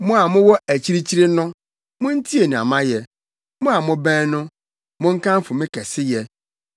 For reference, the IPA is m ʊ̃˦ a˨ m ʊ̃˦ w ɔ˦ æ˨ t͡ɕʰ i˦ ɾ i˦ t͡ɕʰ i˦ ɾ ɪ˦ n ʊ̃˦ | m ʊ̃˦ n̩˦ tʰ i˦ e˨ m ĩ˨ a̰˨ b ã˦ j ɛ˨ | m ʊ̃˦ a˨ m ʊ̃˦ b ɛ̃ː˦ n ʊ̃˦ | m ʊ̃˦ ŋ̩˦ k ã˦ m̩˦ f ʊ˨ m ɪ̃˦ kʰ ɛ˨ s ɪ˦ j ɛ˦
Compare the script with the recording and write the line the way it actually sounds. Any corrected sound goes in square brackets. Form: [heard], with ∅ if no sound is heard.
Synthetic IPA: m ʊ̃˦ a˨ m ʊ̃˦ w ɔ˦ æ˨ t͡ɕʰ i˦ ɾ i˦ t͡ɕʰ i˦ ɾ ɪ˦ n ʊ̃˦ | m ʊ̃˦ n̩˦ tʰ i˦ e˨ [n] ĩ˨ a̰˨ [m] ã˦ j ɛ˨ | m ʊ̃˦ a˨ m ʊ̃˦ b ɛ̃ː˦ n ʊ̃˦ | m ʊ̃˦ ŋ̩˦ k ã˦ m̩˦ f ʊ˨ m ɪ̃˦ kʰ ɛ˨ s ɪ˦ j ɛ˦